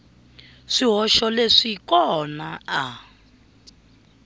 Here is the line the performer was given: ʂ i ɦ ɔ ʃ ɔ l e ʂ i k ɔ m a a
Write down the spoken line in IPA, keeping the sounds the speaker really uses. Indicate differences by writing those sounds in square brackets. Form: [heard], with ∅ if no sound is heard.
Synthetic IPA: ʂ i ɦ ɔ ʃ ɔ l e ʂ i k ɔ [n] a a